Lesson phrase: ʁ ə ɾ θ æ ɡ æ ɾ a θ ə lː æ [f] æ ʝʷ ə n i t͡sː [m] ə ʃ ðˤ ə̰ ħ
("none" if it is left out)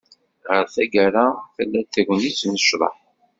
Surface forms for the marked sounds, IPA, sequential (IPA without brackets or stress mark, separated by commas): θ, n